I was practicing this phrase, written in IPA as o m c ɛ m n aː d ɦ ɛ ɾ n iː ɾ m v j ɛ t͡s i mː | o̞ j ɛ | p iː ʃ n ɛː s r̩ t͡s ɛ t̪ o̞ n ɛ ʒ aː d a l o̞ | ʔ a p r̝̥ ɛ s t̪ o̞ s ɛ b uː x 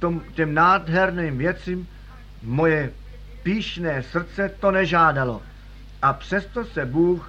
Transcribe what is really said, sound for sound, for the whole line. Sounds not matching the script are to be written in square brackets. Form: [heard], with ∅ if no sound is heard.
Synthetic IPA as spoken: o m c ɛ m n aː d ɦ ɛ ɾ n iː [∅] m v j ɛ t͡s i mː | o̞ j ɛ | p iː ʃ n ɛː s r̩ t͡s ɛ t̪ o̞ n ɛ ʒ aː d a l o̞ | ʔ a p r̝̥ ɛ s t̪ o̞ s ɛ b uː x